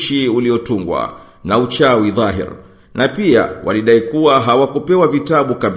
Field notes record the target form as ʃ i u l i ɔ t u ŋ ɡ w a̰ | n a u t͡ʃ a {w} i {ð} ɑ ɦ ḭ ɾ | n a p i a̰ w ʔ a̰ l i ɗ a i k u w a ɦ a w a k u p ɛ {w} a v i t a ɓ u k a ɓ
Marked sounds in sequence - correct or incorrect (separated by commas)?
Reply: correct, correct, correct